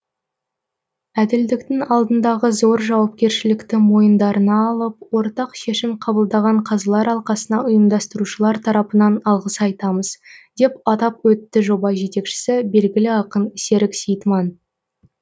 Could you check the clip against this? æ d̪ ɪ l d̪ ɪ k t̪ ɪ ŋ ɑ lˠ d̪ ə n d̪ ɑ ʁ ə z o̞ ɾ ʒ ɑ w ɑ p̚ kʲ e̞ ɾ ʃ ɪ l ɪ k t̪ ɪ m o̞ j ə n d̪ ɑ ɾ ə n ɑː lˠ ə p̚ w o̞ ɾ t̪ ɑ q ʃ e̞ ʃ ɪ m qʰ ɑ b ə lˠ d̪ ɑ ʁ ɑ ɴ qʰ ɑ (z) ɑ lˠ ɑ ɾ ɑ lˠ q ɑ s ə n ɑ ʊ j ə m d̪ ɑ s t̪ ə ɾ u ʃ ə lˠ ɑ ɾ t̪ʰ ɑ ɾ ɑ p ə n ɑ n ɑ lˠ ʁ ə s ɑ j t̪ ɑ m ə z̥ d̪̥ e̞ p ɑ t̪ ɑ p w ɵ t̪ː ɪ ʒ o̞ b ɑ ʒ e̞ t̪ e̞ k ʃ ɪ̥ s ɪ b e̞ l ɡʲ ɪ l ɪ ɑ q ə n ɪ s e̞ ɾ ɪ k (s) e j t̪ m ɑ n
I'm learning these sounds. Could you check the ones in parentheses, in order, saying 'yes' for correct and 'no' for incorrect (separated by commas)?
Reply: yes, yes